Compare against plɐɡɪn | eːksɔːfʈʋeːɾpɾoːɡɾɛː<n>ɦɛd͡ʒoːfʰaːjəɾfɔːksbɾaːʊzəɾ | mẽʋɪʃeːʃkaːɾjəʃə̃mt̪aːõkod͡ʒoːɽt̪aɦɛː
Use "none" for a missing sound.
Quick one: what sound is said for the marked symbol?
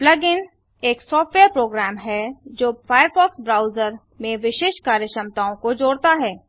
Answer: m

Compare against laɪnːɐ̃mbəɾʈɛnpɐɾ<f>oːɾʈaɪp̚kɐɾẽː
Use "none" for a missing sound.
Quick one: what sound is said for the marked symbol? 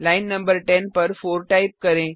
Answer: f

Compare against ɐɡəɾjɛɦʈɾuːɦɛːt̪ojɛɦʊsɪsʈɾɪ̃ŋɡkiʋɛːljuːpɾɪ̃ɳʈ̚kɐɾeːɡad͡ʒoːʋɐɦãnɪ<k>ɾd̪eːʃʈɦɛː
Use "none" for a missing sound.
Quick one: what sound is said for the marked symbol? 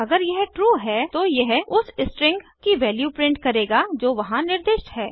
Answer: none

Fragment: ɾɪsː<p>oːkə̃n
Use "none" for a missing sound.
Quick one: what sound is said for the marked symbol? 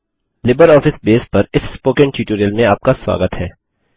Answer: p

